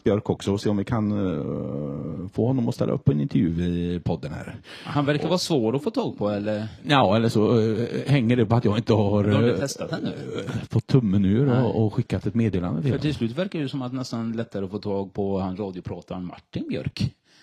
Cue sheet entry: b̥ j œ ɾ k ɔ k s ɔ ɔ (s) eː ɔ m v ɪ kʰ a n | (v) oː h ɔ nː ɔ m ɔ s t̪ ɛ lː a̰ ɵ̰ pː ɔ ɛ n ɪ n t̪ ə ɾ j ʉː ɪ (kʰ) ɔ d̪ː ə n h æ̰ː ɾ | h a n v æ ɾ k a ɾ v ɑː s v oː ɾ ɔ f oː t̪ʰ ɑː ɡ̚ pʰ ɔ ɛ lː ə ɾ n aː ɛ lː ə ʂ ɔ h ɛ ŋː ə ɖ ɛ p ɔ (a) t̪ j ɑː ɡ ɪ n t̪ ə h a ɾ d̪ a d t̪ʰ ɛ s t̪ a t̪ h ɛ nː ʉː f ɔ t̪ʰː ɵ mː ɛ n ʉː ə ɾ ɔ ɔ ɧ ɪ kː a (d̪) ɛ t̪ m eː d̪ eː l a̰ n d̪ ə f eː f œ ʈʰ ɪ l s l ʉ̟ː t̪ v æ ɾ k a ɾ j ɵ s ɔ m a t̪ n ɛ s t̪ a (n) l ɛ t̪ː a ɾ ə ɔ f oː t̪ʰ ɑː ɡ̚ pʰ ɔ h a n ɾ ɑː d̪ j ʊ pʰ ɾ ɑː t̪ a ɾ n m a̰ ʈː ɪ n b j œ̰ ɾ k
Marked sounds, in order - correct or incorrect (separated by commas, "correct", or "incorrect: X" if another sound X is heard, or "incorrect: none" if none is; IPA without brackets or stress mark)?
correct, incorrect: f, incorrect: pʰ, correct, incorrect: t̪, correct